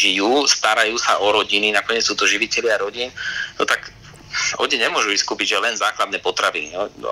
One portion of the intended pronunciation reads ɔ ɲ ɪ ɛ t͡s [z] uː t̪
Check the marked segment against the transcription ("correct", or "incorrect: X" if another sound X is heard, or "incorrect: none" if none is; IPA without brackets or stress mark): incorrect: s